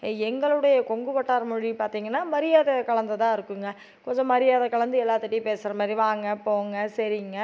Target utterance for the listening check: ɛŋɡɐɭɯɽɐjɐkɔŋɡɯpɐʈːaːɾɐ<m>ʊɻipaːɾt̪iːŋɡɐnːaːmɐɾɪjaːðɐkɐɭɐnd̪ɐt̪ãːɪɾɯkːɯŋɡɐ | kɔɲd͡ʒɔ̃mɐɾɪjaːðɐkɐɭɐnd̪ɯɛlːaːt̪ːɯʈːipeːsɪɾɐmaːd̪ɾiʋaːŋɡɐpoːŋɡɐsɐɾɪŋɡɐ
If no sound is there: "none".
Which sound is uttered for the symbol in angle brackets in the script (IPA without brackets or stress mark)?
m